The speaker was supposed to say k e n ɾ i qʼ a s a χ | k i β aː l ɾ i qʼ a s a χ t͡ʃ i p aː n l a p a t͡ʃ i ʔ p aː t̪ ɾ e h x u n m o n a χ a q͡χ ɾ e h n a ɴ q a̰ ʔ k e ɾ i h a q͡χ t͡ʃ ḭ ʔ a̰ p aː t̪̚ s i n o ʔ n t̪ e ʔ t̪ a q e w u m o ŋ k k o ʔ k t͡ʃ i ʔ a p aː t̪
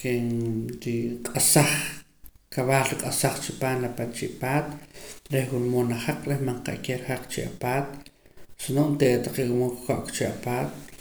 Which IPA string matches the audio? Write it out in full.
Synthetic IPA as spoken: k e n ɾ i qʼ a s a χ | k a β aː l ɾ i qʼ a s a χ t͡ʃ i p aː n l a p a t͡ʃ i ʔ p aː t̪ ɾ e h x u n m o n a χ a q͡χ ɾ e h m a ɴ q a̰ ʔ k e ɾ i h a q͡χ t͡ʃ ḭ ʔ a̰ p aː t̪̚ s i n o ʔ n t̪ e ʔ t̪ a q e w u m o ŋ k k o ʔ k t͡ʃ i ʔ a p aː t̪